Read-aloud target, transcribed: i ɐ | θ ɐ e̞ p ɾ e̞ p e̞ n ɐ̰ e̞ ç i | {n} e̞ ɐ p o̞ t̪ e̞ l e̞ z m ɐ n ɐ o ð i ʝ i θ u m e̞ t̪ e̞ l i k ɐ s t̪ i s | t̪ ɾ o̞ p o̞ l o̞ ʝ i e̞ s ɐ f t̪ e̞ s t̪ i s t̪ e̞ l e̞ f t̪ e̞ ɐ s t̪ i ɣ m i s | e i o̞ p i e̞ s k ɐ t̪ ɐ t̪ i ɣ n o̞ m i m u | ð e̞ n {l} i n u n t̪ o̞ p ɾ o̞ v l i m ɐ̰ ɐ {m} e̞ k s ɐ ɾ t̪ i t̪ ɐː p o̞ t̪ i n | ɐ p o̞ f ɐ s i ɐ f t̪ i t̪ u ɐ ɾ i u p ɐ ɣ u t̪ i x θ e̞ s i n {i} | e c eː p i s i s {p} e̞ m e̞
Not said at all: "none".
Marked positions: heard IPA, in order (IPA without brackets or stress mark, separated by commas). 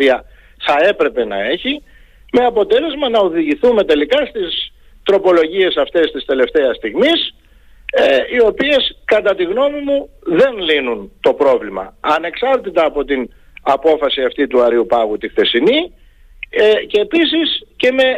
m, l, n, i, c